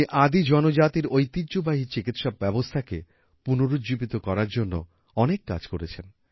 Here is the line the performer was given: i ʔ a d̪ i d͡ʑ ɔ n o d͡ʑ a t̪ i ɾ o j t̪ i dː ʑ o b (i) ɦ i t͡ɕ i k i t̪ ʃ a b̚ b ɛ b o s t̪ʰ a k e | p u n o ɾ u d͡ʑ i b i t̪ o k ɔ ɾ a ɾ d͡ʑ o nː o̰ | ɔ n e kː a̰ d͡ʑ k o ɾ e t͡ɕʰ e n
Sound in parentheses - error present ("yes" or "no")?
yes